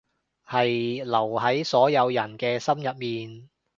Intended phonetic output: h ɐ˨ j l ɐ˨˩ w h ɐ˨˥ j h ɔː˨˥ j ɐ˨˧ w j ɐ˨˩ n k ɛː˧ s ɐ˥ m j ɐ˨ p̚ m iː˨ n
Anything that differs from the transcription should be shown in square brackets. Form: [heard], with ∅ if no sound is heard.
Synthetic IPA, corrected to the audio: h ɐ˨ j l ɐ˨˩ w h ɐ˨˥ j [s] ɔː˨˥ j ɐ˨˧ w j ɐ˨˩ n k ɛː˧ s ɐ˥ m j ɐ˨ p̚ m iː˨ n